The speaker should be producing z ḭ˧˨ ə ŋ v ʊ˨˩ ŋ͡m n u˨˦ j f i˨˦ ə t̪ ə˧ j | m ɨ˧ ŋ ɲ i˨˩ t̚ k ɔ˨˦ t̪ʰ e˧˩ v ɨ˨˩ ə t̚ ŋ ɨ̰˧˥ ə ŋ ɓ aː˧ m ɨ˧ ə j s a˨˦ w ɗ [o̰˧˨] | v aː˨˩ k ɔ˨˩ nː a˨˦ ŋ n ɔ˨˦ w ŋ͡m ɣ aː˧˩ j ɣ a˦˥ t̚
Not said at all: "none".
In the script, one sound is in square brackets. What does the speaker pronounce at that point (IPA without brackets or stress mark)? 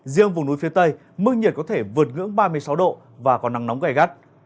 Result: o̰˧˨